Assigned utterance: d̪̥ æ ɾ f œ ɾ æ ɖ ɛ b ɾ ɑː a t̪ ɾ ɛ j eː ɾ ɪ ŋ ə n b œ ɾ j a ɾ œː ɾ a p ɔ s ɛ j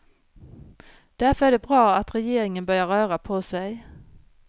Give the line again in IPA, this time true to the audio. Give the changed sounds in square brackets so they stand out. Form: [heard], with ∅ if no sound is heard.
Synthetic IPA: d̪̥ æ ɾ f œ ɾ æ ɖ ɛ b ɾ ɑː a t̪ ɾ ɛ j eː ɾ ɪ ŋ ə n b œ ɾ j a ɾ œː ɾ a [pʰ] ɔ s ɛ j